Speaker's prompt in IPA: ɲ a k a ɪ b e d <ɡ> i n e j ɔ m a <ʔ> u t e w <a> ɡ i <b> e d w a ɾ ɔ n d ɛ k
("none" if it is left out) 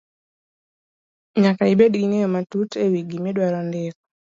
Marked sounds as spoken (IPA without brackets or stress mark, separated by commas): ɡ, t, i, m